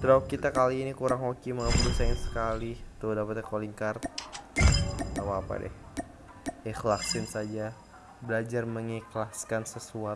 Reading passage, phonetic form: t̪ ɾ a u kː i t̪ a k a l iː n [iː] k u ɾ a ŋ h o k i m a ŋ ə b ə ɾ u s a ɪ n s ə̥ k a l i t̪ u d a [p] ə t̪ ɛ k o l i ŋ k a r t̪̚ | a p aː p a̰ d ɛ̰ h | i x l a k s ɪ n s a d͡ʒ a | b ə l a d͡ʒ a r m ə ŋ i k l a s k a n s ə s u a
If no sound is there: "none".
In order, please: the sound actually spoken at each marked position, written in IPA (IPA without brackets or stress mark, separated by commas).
i, p